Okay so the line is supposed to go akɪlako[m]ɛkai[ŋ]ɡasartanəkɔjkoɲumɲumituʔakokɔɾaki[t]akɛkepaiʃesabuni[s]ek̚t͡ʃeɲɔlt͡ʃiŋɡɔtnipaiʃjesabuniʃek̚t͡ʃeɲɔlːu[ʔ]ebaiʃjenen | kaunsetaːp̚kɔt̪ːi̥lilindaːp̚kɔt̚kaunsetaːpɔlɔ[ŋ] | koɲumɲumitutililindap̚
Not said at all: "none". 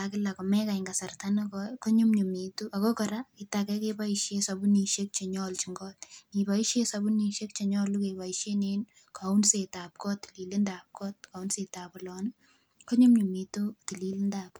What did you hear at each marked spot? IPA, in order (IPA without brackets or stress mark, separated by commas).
m, ŋ, t, ʃ, k, n